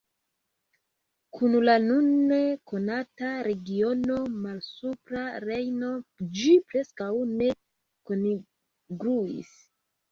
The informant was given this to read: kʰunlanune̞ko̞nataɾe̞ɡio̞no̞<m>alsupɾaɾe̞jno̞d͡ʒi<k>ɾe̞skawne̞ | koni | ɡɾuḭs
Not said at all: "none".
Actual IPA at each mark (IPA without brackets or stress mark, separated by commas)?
m, p